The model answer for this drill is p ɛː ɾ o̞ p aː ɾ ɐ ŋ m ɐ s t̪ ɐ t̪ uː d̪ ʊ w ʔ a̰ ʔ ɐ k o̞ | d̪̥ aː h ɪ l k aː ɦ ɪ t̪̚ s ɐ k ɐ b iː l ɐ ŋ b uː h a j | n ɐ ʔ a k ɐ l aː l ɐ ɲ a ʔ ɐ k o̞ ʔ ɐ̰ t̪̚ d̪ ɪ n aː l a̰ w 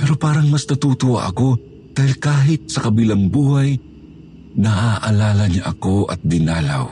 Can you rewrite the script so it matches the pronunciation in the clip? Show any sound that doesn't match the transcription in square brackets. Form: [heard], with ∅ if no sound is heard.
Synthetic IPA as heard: p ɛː ɾ o̞ p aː ɾ ɐ ŋ m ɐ s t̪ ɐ t̪ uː [t̪] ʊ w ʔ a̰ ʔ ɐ k o̞ | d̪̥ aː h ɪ l k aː ɦ ɪ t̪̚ s ɐ k ɐ b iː l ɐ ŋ b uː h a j | n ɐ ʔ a [ʔ] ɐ l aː l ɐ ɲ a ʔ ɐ k o̞ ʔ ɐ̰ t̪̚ d̪ ɪ n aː l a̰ w